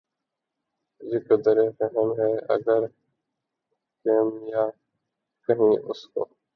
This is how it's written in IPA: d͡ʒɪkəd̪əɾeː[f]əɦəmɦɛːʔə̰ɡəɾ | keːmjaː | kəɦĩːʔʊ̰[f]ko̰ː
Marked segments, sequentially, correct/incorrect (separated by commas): correct, incorrect